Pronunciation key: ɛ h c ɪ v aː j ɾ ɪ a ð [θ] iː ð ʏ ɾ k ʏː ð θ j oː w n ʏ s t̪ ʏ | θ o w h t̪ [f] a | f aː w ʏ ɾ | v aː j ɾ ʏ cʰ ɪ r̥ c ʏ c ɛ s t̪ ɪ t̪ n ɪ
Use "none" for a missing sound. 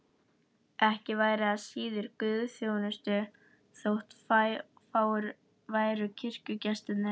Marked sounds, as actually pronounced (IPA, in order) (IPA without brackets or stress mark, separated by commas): s, f